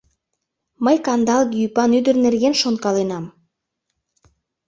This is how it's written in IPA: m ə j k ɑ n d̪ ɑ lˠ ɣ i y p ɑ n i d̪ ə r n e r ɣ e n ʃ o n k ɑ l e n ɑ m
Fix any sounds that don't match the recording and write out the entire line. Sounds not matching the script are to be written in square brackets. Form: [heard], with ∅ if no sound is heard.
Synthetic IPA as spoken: m ə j k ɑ n d̪ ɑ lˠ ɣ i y p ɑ n [y] d̪ ə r n e r ɣ e n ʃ o n k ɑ l e n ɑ m